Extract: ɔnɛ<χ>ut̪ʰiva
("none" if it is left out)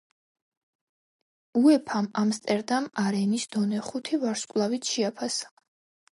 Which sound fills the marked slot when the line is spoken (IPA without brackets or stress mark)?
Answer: χ